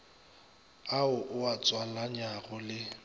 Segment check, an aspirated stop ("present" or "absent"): absent